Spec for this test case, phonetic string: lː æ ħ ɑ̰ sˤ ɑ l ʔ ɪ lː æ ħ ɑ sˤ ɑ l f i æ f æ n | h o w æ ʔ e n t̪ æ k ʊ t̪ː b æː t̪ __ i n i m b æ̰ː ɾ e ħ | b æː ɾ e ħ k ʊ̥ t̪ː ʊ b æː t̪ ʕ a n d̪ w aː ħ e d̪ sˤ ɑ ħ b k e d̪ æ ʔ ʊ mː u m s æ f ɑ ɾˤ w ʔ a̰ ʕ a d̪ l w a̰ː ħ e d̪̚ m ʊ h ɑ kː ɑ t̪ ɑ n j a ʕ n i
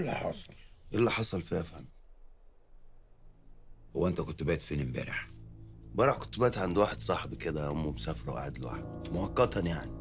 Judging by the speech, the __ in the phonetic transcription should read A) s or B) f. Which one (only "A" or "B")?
B